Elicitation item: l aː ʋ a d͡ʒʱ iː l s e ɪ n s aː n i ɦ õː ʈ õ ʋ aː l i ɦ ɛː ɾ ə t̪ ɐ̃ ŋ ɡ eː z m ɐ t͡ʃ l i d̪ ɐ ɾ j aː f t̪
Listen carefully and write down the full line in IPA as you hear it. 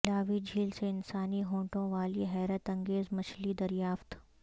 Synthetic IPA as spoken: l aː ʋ i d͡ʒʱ iː l s e ɪ n s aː n i ɦ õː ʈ õ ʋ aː l i ɦ ɛː ɾ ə t̪ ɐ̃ ŋ ɡ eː z m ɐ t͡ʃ l i d̪ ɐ ɾ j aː f t̪